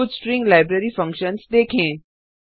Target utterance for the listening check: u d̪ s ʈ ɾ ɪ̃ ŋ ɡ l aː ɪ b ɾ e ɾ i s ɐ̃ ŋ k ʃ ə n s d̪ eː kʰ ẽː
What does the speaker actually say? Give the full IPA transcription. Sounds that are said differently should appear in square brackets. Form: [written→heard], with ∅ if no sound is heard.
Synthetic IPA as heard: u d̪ s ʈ ɾ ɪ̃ ŋ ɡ l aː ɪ b ɾ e ɾ i [s→f] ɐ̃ ŋ k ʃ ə n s d̪ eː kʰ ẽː